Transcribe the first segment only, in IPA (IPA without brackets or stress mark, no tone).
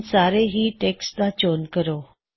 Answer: s